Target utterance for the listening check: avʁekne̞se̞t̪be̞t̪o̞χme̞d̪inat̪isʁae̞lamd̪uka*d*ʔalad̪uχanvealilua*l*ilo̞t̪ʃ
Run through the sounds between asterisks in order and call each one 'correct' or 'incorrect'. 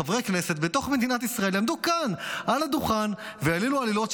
incorrect, correct

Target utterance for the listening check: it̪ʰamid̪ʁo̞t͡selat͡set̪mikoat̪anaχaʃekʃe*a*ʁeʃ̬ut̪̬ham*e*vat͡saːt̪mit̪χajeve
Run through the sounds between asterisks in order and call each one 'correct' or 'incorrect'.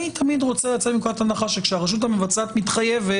correct, correct

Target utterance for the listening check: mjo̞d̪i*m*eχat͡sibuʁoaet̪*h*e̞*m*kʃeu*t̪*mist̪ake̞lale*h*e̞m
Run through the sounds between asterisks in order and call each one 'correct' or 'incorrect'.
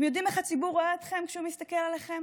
correct, incorrect, correct, incorrect, incorrect

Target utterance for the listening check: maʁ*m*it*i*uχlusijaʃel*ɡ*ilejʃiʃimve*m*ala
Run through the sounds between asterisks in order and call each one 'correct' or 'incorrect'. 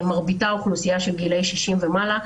incorrect, incorrect, correct, correct

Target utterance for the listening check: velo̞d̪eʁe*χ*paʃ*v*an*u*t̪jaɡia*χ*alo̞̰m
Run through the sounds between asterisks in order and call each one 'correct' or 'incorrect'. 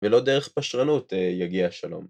correct, incorrect, correct, incorrect

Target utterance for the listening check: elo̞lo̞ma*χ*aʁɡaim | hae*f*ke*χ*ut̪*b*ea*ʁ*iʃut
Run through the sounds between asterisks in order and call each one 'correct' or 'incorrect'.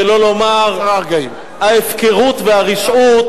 incorrect, correct, incorrect, incorrect, correct

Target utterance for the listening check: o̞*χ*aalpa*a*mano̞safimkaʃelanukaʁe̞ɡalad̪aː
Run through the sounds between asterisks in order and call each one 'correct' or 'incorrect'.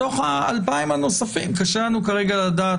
correct, incorrect

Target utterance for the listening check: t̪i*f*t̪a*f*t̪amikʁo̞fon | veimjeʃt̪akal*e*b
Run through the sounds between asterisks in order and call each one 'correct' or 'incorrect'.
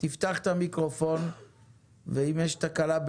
correct, incorrect, incorrect

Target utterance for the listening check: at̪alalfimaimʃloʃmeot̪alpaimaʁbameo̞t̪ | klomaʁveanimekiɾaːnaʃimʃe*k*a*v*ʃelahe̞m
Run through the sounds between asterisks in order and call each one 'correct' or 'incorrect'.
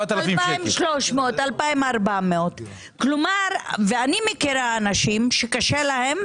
correct, incorrect

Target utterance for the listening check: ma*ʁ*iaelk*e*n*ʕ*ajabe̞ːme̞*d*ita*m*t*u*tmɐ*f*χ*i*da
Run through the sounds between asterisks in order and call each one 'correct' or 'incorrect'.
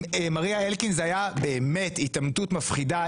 correct, incorrect, incorrect, incorrect, correct, correct, correct, correct

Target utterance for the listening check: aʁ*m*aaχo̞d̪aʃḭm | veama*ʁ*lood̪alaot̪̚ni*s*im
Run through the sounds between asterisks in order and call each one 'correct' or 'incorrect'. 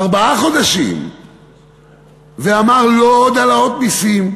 incorrect, correct, correct

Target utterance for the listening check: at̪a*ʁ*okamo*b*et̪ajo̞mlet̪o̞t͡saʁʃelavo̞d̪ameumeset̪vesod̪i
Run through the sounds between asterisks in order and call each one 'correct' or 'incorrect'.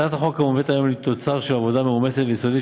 incorrect, incorrect

